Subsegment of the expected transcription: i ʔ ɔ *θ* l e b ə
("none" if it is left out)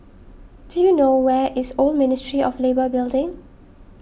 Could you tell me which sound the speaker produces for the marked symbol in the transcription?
f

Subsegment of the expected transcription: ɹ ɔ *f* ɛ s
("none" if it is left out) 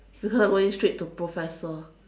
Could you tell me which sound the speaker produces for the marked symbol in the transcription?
f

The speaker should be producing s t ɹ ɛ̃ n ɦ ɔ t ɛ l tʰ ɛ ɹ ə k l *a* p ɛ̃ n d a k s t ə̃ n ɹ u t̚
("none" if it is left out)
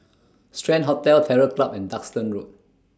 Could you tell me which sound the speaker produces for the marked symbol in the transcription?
a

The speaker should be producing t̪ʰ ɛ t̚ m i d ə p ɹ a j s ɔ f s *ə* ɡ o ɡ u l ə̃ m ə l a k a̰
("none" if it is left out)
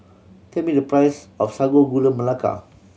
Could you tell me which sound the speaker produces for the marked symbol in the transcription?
a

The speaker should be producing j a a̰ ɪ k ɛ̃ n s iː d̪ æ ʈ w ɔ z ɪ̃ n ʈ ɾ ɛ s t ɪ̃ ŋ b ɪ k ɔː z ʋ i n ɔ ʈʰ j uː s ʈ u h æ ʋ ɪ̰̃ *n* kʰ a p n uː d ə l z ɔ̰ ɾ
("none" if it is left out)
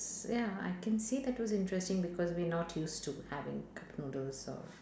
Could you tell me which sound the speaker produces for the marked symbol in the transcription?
ŋ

